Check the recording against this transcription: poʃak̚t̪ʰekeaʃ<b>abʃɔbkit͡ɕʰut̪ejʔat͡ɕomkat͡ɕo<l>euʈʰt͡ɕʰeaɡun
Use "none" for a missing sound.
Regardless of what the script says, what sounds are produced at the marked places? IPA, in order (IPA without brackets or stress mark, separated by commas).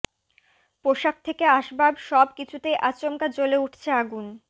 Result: b, l